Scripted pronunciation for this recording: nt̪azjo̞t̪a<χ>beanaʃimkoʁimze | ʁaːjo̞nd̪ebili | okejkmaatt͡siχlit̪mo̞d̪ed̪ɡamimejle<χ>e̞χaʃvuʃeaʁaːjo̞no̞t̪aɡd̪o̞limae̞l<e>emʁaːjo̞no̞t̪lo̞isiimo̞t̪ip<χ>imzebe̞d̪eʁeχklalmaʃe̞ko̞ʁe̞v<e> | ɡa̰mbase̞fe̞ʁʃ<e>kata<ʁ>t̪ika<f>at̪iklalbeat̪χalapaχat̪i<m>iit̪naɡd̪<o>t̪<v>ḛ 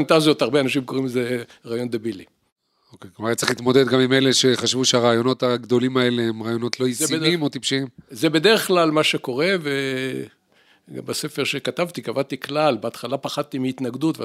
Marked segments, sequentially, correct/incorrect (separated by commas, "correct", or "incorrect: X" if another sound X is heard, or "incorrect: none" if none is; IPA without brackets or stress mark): incorrect: ʁ, incorrect: ʃ, correct, incorrect: ʃ, correct, correct, incorrect: v, incorrect: v, correct, incorrect: u, correct